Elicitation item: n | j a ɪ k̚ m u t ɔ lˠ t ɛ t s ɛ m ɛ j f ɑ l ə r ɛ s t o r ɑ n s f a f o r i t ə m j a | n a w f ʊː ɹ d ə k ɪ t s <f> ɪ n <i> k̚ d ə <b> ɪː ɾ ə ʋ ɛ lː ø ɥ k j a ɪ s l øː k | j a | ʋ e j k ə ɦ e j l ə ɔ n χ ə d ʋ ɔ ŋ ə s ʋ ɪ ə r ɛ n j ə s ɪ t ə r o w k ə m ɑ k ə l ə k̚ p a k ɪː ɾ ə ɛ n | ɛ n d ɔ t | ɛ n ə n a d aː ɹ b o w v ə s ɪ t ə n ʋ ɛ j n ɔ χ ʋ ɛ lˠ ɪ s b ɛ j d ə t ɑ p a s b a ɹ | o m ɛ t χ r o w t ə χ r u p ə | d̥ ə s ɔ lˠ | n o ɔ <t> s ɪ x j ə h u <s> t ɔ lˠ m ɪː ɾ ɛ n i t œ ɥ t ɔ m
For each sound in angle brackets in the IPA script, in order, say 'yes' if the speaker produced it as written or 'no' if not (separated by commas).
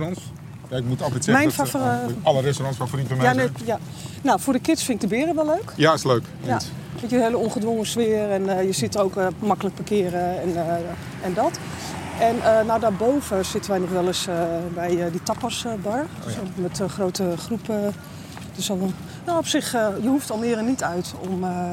yes, no, yes, no, no